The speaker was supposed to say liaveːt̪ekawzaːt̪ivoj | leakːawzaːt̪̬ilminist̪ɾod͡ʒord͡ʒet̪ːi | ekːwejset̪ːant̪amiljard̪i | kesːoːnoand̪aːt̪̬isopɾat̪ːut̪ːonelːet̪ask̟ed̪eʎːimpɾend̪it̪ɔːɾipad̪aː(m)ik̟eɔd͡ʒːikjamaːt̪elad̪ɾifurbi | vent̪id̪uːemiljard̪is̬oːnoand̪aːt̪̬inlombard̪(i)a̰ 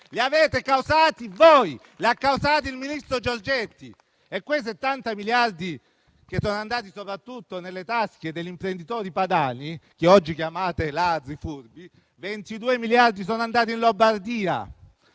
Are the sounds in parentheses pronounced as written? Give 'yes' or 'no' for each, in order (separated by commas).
no, no